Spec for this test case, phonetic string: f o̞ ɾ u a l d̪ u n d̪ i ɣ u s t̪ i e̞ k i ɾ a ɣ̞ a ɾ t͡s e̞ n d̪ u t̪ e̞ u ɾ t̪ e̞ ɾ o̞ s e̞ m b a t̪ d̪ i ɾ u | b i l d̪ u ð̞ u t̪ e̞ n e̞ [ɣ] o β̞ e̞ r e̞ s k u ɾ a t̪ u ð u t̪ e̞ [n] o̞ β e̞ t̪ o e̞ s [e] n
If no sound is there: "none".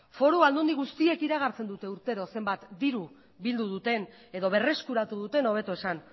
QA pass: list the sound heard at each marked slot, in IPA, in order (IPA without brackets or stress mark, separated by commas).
ð, n, a